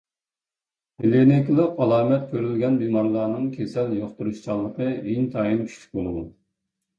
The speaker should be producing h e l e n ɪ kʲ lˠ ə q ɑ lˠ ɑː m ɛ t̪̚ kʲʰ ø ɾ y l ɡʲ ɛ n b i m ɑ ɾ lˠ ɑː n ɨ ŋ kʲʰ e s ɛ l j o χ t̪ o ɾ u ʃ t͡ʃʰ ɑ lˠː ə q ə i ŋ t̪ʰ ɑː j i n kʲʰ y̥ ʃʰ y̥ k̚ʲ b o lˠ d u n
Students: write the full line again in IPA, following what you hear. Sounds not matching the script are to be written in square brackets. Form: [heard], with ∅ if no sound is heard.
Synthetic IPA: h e l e n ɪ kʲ lˠ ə q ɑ lˠ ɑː m ɛ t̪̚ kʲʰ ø ɾ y l ɡʲ ɛ n b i m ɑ ɾ lˠ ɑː n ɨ ŋ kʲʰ e s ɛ l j o χ t̪ [u] ɾ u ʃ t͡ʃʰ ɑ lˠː ə q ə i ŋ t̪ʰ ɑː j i n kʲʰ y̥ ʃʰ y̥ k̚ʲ b o lˠ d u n